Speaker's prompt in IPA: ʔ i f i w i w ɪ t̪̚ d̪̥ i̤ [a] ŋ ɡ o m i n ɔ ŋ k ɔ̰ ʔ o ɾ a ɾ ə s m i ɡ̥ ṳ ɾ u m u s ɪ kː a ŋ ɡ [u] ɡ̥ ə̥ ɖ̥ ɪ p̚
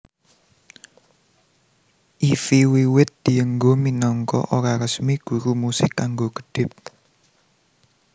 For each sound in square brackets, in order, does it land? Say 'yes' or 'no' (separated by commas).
no, no